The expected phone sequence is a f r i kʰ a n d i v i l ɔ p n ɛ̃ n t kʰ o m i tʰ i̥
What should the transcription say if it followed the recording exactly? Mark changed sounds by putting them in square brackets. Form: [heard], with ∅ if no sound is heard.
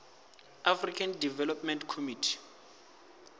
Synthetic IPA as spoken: a f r i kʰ a n d i v [ɛ] l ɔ p [m] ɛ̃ n t kʰ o m i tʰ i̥

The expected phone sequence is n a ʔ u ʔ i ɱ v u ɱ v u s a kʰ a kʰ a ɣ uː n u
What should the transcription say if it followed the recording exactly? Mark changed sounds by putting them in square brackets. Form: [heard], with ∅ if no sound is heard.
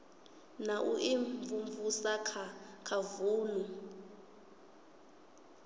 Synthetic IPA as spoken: n a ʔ u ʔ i ɱ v u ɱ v u s a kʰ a kʰ a [v] uː n u

